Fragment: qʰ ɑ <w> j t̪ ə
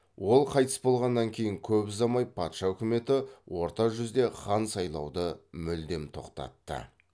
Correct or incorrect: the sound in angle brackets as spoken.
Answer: incorrect: none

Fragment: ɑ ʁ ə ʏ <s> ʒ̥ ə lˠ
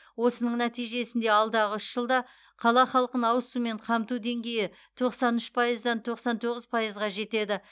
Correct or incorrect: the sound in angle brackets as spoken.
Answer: incorrect: ʃ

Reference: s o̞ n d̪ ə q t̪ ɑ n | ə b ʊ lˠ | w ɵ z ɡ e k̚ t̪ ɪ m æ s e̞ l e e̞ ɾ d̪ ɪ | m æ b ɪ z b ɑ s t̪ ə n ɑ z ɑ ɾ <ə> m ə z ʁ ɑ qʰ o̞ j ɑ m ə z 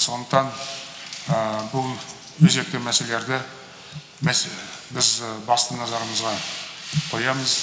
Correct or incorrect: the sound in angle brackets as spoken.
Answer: correct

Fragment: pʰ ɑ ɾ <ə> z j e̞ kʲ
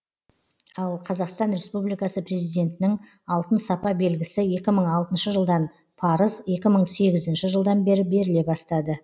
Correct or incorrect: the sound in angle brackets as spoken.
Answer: correct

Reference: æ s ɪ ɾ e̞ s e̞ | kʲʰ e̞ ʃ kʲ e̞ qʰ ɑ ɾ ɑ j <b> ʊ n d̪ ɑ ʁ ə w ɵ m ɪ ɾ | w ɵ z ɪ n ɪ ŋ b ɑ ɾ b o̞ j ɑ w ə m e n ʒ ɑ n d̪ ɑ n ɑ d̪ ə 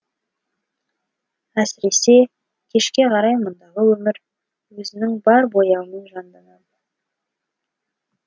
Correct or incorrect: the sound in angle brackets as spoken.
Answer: incorrect: m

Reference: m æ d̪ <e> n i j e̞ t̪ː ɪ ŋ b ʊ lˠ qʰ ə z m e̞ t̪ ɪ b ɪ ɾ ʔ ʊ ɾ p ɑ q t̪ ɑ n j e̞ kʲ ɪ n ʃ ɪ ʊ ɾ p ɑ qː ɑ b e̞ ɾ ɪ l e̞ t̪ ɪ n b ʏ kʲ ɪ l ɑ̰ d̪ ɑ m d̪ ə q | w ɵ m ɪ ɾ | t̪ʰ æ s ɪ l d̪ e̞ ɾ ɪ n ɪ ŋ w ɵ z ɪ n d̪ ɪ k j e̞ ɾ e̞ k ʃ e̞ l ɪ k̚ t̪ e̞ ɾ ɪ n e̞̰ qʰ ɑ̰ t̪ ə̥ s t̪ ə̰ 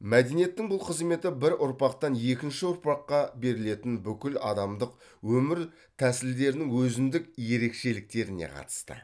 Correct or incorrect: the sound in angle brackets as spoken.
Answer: correct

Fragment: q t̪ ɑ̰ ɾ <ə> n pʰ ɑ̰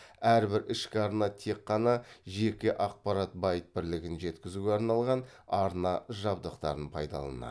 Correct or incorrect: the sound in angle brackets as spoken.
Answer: correct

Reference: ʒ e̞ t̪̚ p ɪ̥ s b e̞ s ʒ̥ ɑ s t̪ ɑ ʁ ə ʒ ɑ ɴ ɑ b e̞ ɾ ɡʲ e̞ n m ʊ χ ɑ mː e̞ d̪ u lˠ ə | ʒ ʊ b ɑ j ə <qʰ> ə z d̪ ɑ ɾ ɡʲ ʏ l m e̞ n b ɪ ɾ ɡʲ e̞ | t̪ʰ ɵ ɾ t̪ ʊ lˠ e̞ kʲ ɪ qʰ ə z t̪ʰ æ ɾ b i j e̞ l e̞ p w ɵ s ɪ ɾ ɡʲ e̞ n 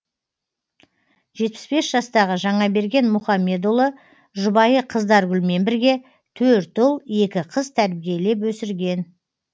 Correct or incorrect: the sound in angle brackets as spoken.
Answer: correct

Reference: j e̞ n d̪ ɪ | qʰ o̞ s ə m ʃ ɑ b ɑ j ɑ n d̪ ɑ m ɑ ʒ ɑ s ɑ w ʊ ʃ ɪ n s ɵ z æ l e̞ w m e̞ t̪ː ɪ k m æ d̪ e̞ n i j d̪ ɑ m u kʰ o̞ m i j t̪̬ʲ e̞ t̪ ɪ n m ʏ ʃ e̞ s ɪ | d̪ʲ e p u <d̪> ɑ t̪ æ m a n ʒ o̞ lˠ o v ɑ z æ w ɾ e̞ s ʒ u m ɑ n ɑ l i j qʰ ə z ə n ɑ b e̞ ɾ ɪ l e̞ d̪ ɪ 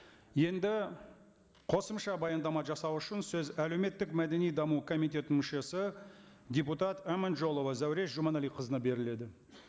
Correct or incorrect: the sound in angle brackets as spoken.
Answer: incorrect: t̪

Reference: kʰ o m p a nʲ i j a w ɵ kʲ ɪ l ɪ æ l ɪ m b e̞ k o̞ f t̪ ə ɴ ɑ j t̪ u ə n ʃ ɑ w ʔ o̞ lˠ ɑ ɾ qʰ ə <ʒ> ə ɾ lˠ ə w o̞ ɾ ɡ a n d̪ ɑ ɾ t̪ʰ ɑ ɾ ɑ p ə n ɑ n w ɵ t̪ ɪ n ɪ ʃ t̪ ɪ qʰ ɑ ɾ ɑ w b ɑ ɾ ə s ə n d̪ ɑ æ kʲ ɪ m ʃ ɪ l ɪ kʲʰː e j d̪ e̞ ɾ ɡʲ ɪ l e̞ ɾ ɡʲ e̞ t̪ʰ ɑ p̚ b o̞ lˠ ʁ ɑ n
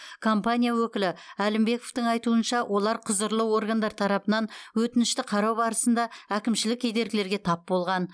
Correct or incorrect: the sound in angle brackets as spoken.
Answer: incorrect: z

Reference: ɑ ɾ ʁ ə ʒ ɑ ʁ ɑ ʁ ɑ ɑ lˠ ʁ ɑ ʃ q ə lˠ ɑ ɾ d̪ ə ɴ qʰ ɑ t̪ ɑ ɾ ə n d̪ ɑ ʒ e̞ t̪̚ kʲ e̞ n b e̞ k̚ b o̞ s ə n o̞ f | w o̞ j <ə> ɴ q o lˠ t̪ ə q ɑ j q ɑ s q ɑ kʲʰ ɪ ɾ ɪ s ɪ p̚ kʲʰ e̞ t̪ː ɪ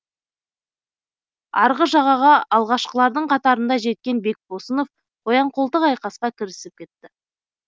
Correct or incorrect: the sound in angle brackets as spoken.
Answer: incorrect: ɑ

